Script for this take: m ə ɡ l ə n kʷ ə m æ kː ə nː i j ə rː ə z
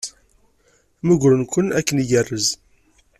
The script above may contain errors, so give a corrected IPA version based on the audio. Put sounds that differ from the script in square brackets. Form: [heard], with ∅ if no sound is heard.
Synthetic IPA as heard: m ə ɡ [ɾ] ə n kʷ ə [n] æ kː ə [n] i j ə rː ə z